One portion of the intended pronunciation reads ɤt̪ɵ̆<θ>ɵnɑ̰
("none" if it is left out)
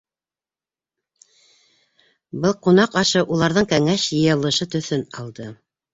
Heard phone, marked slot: θ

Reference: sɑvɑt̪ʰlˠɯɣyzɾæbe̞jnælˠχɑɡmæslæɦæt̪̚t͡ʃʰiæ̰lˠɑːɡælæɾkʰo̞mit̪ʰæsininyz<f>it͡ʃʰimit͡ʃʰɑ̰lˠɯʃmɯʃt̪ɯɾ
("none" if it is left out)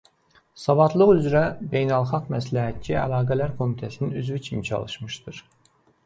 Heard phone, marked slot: v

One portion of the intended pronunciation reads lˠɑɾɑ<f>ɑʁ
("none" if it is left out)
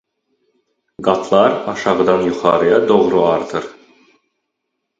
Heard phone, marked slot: ʃ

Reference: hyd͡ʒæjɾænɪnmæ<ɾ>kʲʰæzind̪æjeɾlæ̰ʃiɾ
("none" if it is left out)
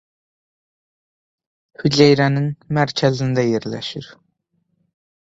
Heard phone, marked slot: ɾ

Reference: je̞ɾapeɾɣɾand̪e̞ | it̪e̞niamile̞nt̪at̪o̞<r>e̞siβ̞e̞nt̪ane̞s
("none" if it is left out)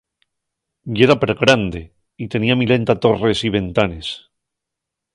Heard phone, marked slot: r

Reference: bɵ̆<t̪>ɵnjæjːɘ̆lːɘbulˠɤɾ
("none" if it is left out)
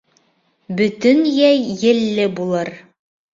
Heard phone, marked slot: t̪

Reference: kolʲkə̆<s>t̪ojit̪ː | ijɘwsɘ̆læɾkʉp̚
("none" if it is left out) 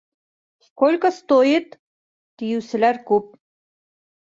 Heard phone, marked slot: s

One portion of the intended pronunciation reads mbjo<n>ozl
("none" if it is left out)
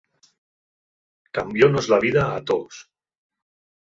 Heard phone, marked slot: n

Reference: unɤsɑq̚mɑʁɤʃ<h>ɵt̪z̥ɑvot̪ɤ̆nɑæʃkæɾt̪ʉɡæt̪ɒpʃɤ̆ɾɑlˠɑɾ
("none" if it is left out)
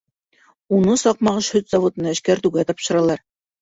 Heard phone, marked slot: h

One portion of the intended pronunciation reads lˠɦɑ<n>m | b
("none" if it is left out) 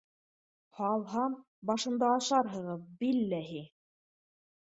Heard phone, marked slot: none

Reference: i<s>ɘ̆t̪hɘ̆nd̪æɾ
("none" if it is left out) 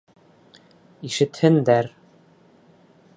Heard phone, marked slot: ʃ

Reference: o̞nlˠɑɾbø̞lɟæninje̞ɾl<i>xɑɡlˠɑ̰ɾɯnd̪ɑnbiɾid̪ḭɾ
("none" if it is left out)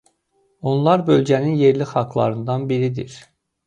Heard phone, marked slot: i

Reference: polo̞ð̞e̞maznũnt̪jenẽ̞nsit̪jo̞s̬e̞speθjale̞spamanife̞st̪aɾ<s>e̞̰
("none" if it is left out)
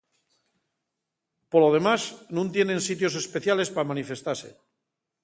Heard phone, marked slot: s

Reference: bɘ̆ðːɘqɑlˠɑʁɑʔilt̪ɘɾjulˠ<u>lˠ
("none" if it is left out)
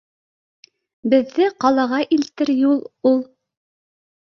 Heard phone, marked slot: u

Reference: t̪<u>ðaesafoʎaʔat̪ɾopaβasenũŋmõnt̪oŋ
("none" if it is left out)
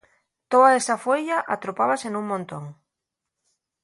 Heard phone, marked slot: o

